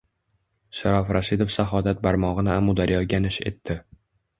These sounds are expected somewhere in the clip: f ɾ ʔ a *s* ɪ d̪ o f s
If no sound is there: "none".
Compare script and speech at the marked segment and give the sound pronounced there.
ʃ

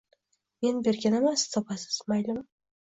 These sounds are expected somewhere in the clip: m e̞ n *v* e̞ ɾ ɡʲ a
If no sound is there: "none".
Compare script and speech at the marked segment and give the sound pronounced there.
b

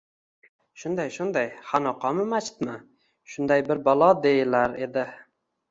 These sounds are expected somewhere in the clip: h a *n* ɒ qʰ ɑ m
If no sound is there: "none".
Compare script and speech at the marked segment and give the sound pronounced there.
n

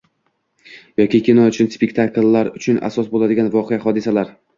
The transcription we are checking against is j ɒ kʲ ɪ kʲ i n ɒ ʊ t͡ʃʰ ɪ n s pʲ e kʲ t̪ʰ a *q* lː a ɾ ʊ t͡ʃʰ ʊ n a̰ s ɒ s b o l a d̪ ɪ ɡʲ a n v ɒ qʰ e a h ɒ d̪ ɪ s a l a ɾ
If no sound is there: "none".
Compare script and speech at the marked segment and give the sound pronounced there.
k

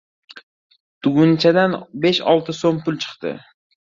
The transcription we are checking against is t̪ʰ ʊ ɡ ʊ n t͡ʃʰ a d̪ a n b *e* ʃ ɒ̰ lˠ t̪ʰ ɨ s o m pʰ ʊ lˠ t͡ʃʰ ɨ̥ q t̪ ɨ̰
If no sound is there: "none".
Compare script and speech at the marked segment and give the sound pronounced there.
e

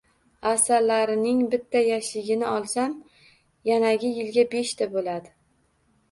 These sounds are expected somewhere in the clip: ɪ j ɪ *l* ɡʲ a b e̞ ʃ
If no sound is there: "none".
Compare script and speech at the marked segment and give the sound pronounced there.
l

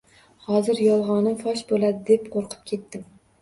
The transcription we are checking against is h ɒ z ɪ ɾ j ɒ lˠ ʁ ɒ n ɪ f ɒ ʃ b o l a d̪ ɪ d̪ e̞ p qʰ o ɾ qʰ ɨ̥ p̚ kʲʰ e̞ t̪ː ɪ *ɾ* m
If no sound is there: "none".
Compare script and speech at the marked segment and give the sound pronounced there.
none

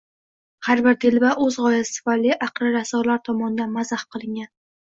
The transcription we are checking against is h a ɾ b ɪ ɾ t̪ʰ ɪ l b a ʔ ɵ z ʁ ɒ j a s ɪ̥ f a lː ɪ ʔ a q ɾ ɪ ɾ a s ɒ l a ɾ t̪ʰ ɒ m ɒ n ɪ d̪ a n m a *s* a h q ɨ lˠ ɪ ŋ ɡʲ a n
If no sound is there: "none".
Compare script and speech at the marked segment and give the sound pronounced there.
z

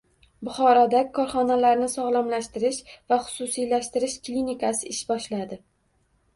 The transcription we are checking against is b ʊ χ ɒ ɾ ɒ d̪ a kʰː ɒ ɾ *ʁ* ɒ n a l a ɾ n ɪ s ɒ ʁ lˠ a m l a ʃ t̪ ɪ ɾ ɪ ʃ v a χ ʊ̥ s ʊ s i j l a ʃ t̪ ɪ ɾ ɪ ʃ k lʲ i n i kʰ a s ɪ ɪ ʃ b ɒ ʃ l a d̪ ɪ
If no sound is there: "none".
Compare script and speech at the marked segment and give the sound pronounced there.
χ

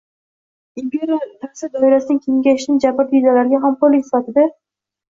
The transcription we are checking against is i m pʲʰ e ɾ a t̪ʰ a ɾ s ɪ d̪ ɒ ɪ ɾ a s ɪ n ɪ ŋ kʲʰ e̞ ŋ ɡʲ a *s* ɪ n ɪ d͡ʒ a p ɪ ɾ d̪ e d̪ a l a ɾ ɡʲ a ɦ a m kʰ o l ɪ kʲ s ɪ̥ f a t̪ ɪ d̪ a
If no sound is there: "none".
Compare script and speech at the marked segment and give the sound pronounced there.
ʃ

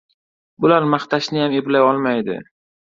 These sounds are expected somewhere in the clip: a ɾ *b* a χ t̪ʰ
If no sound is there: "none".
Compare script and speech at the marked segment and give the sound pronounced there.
m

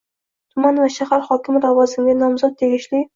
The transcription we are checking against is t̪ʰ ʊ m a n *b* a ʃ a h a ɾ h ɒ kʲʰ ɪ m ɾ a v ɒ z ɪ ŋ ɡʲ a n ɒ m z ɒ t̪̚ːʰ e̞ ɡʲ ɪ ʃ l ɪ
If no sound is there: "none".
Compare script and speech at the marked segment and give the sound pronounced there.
v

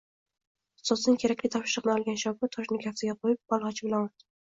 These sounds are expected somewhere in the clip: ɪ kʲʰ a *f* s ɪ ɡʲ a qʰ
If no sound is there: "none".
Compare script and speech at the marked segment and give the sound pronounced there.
f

